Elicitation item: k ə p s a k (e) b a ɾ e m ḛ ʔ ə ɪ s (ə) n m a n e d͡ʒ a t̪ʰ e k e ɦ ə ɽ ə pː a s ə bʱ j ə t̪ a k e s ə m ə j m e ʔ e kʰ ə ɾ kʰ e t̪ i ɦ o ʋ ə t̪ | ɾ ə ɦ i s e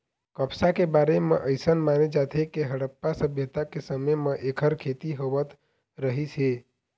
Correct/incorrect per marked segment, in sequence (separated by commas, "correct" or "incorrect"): correct, correct